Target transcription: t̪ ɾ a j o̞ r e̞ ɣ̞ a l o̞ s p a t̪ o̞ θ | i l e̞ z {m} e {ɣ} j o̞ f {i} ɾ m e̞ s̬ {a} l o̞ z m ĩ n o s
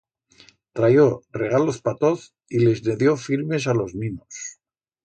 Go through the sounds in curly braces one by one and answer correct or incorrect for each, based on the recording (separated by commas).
incorrect, incorrect, correct, correct